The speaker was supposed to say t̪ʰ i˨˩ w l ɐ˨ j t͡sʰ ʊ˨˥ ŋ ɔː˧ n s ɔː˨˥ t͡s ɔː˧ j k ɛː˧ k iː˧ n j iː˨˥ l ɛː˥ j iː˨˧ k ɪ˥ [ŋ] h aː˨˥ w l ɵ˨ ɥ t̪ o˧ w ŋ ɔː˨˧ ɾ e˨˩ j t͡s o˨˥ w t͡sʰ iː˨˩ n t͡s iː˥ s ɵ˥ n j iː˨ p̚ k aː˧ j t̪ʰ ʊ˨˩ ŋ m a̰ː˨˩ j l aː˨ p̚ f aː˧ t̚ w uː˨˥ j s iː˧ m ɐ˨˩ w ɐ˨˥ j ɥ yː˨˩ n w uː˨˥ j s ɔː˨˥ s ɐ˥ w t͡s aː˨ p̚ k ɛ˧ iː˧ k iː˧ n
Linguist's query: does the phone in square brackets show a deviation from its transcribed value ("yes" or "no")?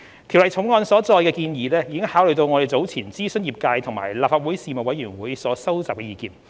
no